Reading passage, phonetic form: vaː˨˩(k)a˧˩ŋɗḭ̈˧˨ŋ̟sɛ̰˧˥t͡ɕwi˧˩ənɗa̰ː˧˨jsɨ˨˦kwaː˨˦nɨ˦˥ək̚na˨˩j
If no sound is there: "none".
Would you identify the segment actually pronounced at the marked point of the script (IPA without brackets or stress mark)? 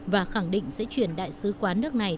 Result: x